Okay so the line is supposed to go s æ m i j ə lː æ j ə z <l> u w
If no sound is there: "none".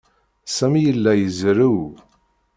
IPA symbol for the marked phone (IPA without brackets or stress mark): ɾ